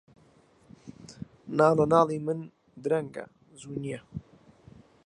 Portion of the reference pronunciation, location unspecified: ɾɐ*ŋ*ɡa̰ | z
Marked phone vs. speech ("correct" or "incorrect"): correct